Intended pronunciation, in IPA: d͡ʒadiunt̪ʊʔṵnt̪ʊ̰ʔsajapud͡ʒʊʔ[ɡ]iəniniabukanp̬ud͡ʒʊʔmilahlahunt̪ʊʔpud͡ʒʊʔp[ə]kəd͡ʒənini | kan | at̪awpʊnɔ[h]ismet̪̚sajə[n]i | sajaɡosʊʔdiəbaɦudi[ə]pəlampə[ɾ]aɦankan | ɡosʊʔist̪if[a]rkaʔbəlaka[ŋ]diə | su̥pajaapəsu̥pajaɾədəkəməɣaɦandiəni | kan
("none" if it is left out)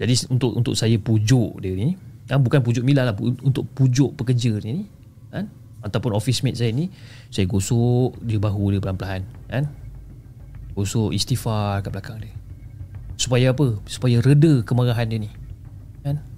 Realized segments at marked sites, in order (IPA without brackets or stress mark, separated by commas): d, ə, f, n, ə, l, a, ŋ